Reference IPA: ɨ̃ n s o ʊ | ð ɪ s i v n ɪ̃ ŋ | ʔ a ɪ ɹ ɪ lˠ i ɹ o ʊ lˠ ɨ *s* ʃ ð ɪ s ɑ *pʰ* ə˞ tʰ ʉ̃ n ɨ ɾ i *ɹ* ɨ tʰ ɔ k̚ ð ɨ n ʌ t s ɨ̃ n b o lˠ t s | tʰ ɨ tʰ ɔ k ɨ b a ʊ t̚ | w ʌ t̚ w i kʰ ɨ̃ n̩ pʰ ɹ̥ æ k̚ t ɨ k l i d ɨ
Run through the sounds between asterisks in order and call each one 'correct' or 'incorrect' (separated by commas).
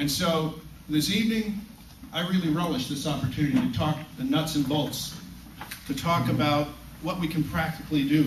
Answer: incorrect, incorrect, incorrect